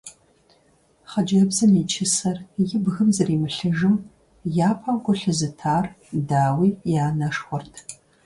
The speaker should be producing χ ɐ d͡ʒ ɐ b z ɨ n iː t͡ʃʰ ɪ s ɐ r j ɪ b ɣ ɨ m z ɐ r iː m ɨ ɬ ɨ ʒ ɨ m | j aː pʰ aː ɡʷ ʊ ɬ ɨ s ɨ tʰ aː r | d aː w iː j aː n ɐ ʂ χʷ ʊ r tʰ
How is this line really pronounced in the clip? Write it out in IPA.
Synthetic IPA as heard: χ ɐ d͡ʒ ɐ b z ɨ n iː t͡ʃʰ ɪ s ɐ r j ɪ b ɣ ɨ m z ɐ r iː m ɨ ɬ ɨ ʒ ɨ m | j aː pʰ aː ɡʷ ʊ ɬ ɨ z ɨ tʰ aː r | d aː w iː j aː n ɐ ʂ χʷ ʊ r tʰ